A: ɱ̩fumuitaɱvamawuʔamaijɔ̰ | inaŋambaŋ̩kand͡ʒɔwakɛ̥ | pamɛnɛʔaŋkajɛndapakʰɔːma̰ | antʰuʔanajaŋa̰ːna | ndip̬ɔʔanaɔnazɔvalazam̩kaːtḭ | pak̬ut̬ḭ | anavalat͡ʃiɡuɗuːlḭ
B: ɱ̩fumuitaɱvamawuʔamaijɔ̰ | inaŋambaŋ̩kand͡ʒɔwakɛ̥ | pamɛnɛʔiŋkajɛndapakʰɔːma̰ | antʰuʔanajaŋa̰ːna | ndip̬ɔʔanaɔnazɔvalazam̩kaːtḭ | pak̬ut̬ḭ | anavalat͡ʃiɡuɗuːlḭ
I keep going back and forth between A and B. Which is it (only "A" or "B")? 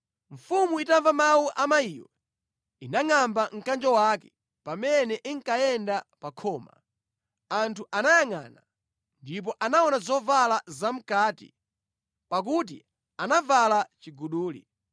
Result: B